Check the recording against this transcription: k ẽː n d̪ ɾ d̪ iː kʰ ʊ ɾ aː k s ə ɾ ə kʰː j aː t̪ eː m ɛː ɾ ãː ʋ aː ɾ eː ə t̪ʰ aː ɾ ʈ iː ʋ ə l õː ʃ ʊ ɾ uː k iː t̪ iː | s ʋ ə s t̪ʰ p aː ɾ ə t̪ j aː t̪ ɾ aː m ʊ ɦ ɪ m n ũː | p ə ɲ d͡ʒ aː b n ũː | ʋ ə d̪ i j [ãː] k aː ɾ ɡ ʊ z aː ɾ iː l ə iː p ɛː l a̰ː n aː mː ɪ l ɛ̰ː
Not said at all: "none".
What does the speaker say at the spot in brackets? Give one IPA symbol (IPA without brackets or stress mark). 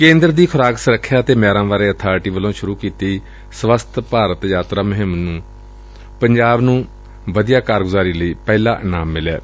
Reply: aː